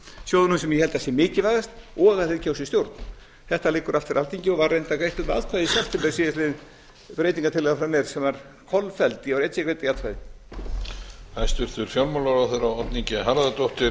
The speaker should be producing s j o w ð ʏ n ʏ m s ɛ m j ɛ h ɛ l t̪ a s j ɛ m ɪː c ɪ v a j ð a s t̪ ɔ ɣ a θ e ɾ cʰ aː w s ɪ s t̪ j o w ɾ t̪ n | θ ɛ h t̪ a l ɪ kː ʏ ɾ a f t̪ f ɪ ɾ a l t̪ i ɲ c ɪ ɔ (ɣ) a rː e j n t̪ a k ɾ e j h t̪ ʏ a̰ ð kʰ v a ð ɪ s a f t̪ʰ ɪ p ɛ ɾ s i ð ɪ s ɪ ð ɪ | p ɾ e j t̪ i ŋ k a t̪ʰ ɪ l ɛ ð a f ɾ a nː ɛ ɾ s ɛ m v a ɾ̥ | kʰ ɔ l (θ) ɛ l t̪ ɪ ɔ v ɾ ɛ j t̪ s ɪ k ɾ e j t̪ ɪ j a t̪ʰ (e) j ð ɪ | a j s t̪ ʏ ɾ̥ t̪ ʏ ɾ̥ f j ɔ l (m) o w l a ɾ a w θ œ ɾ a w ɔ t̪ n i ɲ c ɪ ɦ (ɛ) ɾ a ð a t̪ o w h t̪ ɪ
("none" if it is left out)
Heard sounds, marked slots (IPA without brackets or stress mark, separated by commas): v, f, a, m, a